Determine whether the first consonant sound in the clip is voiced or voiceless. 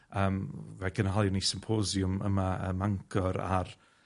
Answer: voiced